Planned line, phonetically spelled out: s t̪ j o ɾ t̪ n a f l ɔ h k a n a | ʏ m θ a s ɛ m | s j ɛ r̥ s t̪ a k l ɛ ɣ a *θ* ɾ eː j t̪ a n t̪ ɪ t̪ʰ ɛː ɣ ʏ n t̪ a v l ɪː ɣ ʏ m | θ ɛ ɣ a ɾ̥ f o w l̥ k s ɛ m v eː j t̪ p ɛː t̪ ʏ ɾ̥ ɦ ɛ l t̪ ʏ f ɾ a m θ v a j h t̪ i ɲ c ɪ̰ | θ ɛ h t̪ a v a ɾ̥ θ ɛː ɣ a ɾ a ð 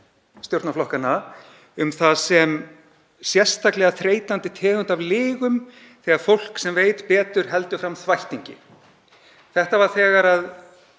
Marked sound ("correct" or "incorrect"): correct